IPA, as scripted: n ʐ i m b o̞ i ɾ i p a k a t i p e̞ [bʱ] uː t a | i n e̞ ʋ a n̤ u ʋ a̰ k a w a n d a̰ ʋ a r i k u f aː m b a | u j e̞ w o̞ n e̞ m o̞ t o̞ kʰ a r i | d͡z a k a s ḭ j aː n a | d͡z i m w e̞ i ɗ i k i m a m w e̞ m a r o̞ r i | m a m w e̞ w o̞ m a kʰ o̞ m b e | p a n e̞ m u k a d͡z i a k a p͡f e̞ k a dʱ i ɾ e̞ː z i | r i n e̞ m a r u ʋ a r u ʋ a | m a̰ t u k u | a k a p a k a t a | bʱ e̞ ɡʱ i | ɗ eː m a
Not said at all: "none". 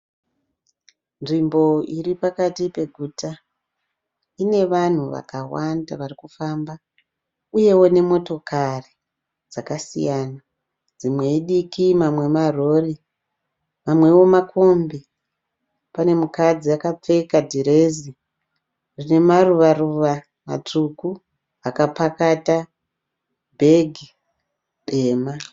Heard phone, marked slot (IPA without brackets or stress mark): ɡʱ